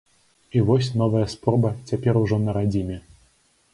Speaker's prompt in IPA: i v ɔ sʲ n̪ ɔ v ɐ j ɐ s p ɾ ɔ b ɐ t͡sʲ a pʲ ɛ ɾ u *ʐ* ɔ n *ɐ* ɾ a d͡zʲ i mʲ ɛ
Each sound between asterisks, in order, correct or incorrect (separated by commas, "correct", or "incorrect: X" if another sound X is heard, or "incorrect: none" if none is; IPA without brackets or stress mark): correct, correct